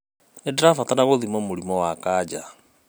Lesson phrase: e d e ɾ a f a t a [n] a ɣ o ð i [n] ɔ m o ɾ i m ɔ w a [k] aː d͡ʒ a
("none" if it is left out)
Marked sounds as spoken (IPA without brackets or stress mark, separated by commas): n, m, k